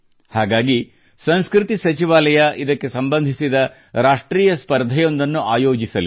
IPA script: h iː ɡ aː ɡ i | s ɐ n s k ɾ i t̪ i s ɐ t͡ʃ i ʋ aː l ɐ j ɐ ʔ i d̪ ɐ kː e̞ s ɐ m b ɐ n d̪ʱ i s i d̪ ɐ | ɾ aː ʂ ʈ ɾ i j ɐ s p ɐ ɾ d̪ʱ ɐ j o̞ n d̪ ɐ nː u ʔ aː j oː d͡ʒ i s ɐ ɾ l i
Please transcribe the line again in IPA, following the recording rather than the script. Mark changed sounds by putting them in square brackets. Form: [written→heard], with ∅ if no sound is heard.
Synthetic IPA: h [iː→aː] ɡ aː ɡ i | s ɐ n s k ɾ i t̪ i s ɐ t͡ʃ i ʋ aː l ɐ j ɐ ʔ i d̪ ɐ kː e̞ s ɐ m b ɐ n d̪ʱ i s i d̪ ɐ | ɾ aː ʂ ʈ ɾ [i→iː] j ɐ s p ɐ ɾ d̪ʱ ɐ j o̞ n d̪ ɐ nː u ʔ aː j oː d͡ʒ i s ɐ [ɾ→∅] l i